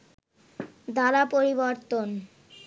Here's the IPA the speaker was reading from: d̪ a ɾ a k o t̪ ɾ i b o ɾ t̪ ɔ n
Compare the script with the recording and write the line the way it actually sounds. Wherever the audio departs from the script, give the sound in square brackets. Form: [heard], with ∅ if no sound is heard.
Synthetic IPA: d̪ a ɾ a [p] o [∅] ɾ i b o ɾ t̪ [o] n